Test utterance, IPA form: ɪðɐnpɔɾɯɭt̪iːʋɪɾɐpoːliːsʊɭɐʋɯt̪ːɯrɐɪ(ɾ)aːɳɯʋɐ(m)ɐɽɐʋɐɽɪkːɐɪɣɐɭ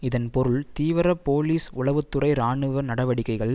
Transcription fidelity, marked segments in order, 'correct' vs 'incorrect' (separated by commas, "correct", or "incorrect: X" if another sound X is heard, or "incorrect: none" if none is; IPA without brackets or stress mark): correct, incorrect: n